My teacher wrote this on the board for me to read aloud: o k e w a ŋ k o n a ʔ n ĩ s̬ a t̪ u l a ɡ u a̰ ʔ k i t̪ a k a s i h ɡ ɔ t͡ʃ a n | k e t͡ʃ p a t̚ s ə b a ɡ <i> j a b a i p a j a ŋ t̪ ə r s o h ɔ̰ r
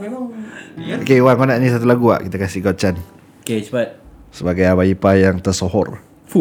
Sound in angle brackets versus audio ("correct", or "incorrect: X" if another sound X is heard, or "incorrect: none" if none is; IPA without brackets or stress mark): incorrect: a